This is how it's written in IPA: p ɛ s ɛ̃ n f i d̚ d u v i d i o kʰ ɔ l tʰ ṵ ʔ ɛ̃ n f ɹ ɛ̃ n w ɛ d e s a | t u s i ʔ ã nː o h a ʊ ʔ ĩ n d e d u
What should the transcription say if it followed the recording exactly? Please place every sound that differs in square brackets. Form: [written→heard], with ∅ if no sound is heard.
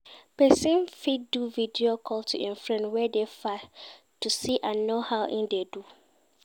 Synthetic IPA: p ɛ s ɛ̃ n f i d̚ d u v i d i o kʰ ɔ l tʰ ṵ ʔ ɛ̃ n f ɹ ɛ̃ n w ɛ d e [s→f] a | t u s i ʔ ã nː o h a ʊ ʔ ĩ n d e d u